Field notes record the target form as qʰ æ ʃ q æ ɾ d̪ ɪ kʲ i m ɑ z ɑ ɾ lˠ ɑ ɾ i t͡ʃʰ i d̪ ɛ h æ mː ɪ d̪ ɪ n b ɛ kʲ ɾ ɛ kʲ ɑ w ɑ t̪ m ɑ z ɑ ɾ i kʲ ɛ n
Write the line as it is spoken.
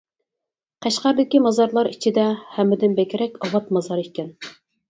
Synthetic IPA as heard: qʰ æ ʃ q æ ɾ d̪ ɪ kʲ i m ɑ z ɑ ɾ lˠ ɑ ɾ i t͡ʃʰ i d̪ ɛ h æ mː ɪ d̪ ɪ n b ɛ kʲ ɾ ɛ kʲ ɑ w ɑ t̪ m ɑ z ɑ ɾ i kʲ ɛ n